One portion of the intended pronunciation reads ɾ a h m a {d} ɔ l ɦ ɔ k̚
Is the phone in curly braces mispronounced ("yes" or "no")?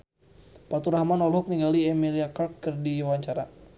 yes